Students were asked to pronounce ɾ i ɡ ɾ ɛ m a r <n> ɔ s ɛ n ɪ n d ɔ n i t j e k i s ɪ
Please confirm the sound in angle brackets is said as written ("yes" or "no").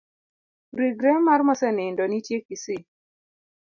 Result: no